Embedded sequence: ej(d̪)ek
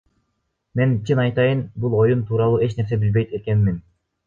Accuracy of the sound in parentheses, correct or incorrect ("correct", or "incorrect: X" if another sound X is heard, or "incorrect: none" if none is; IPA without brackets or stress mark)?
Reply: incorrect: t̪